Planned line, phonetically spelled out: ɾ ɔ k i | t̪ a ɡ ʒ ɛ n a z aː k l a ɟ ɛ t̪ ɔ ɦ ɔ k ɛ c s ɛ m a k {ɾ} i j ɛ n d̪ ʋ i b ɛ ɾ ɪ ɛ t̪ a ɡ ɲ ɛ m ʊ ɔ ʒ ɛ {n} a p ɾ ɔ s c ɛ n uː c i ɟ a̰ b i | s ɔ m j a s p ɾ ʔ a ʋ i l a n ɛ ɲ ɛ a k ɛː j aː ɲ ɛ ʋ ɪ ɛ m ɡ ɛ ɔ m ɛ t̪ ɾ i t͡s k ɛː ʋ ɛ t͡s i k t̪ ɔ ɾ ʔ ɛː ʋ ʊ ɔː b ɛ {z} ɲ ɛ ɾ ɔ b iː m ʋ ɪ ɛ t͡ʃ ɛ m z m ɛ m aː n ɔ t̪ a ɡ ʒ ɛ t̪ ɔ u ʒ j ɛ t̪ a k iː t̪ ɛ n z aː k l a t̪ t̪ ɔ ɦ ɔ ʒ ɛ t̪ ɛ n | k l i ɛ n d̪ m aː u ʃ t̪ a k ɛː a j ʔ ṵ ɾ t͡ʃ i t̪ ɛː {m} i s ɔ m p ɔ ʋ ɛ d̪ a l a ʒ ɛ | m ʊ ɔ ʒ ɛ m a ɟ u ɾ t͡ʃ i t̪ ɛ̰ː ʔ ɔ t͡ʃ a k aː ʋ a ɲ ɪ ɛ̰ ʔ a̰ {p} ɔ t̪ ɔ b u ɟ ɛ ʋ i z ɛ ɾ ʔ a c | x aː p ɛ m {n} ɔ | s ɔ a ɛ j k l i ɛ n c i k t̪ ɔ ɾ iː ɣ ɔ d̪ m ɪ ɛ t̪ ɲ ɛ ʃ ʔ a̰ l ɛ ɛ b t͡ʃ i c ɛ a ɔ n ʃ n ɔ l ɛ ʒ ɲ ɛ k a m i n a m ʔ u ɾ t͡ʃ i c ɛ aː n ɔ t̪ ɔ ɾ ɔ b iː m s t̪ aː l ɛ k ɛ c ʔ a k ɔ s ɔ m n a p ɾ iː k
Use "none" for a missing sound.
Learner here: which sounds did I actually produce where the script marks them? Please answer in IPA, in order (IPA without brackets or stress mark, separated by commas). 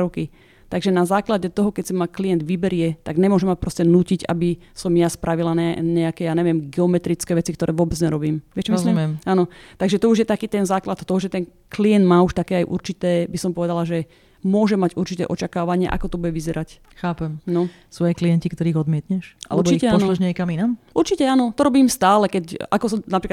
l, m, d͡z, b, k, n